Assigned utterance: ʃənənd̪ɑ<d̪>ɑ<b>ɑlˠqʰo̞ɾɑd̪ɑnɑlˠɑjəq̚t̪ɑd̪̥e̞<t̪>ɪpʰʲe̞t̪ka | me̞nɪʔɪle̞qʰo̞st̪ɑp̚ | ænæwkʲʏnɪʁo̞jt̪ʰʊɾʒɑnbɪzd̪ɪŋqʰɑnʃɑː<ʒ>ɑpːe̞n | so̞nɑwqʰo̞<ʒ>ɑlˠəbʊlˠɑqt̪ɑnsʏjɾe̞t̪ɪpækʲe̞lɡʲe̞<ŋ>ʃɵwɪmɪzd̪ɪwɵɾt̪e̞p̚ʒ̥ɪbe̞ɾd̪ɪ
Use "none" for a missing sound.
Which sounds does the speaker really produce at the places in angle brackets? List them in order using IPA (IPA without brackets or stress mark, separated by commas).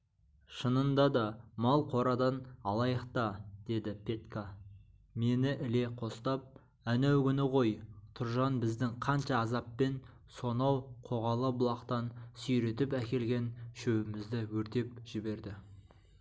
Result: d̪, m, d̪, z, ʁ, n